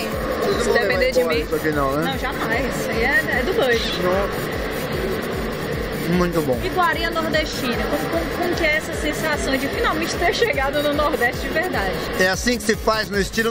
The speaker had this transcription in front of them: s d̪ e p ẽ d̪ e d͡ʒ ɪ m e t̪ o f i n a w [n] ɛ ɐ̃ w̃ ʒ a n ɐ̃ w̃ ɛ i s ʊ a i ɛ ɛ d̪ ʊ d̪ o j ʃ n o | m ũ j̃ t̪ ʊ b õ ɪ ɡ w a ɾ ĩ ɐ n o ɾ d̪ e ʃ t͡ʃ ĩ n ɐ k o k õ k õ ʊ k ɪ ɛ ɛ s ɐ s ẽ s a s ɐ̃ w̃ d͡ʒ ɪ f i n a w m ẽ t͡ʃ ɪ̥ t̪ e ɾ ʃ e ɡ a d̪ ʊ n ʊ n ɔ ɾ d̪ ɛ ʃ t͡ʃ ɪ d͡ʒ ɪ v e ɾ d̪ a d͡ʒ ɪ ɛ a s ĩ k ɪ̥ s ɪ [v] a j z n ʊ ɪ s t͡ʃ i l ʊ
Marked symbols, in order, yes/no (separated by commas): yes, no